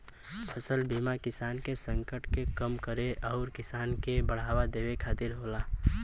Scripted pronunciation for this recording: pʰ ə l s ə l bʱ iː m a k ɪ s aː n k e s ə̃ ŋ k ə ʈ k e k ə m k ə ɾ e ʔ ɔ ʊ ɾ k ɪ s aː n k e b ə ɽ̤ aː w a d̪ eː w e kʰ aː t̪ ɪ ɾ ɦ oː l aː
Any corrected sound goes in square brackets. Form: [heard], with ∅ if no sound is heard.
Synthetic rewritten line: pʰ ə [∅] s ə l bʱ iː m a k ɪ s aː n k e s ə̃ ŋ k ə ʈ k e k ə m k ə ɾ e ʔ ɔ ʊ ɾ k ɪ s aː n k e b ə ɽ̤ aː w a d̪ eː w e kʰ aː t̪ ɪ ɾ ɦ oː l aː